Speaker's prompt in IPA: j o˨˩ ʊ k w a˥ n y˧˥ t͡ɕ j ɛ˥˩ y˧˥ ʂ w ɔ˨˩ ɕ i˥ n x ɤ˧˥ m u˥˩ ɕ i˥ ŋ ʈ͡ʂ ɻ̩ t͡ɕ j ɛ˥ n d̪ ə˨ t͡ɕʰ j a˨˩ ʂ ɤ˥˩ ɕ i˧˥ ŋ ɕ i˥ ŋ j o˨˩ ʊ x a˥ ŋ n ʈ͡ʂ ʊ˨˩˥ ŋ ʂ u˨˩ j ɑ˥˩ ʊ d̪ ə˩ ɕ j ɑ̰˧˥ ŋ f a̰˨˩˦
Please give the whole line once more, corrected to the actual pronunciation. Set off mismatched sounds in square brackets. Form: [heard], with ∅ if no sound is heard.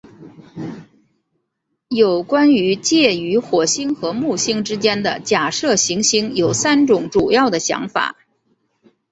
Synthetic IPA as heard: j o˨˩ ʊ k w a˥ n y˧˥ t͡ɕ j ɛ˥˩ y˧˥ [x] w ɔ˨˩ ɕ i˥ [ŋ] x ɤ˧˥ m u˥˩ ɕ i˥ ŋ ʈ͡ʂ ɻ̩ t͡ɕ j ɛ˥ n d̪ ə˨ [t͡ɕ] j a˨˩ ʂ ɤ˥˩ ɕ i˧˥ ŋ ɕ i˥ ŋ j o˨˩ ʊ [s] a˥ [∅] n ʈ͡ʂ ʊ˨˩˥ ŋ [ʈ͡ʂ] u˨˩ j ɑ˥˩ ʊ d̪ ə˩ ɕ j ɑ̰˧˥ ŋ f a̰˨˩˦

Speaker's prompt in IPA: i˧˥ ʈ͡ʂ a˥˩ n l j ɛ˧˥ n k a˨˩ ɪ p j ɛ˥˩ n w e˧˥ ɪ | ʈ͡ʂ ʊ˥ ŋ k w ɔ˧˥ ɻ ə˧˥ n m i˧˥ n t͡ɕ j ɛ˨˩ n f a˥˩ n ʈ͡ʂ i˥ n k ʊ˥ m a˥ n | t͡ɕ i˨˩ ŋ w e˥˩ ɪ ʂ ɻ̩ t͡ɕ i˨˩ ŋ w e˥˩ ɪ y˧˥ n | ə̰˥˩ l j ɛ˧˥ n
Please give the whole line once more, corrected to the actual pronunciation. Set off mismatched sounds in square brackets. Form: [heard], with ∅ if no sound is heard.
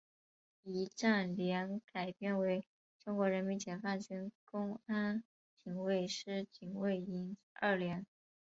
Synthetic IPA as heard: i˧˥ ʈ͡ʂ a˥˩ n l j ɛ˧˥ n k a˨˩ ɪ p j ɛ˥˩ n w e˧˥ ɪ | ʈ͡ʂ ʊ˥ ŋ k w ɔ˧˥ ɻ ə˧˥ n m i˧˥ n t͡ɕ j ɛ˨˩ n f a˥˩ n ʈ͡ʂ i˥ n k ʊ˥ [ŋ] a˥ n | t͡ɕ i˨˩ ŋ w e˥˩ ɪ ʂ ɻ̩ t͡ɕ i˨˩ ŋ w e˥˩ ɪ [i˧˥] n | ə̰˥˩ l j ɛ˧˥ n

